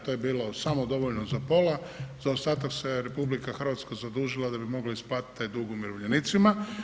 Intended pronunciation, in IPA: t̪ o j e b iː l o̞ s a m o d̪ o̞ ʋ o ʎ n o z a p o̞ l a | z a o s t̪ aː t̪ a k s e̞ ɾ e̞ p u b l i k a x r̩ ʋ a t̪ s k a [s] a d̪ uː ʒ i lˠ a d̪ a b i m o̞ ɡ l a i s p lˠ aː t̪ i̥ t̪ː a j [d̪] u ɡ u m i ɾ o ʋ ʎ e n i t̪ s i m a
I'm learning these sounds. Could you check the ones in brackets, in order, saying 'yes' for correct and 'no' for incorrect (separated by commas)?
no, yes